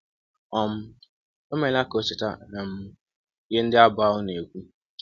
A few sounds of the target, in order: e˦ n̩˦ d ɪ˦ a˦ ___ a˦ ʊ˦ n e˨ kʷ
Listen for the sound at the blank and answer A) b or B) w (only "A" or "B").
A